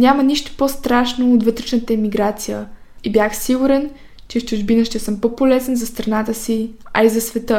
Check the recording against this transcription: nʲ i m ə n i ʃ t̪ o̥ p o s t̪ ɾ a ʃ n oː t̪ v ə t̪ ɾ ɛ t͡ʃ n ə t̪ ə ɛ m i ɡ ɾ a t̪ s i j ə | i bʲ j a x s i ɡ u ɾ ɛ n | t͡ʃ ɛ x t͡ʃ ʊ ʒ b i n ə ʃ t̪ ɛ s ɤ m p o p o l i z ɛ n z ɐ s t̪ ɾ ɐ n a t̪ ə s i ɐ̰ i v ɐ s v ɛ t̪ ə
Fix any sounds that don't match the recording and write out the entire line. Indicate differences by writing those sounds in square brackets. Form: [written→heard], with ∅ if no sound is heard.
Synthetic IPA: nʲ [i→a] m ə n i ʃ t̪ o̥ p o s t̪ ɾ a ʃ n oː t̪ v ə t̪ ɾ ɛ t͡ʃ n ə t̪ ə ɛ m i ɡ ɾ a t̪ s i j ə | i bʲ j a x s i ɡ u ɾ ɛ n | t͡ʃ ɛ [x→f] t͡ʃ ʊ ʒ b i n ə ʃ t̪ ɛ s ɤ m p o p o l [i→ɛ] z ɛ n z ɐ s t̪ ɾ ɐ n a t̪ ə s i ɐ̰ i [v→z] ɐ s v ɛ t̪ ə